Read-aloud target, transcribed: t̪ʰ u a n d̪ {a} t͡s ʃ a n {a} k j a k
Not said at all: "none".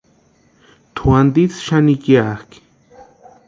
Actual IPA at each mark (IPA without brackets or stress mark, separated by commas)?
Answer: i, i